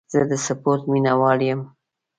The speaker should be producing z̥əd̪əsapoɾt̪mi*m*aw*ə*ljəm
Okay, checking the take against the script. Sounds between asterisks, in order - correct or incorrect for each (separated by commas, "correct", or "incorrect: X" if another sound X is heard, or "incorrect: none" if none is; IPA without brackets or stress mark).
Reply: incorrect: n, incorrect: ɑ